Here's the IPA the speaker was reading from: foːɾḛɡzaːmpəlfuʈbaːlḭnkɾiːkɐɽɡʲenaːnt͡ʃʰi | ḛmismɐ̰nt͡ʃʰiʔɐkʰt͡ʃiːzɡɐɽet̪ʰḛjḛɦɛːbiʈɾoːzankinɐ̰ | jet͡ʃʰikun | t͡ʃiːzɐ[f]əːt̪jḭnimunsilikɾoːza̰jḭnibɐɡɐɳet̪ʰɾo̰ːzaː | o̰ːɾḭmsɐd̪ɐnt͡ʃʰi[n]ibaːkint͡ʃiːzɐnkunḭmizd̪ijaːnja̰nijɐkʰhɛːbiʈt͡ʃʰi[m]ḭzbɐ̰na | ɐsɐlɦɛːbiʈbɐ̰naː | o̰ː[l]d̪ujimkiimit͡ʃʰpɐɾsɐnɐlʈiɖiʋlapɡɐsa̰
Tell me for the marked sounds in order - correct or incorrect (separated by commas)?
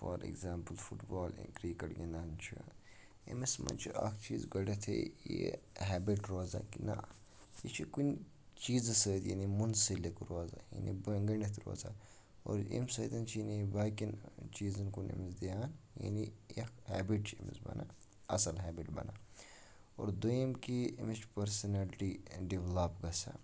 incorrect, correct, correct, incorrect